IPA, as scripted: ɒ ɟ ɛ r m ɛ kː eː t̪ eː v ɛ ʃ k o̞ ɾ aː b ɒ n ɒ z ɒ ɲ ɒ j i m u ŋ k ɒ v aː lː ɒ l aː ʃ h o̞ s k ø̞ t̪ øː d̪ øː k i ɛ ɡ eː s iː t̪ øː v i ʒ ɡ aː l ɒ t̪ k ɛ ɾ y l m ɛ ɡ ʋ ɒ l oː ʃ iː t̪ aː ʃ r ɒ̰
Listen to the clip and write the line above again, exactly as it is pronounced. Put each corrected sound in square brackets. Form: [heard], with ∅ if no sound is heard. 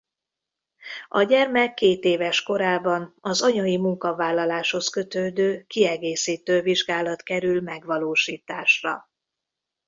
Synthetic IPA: ɒ ɟ ɛ r m ɛ kː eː t̪ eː v ɛ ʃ k o̞ ɾ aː b ɒ n ɒ z ɒ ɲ ɒ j i m u ŋ k ɒ v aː lː ɒ l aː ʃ h o̞ s k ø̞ t̪ øː d̪ øː k i ɛ ɡ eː s iː t̪ øː v i ʒ ɡ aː l ɒ t̪ k ɛ ɾ y l m ɛ ɡ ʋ ɒ l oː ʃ iː t̪ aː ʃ r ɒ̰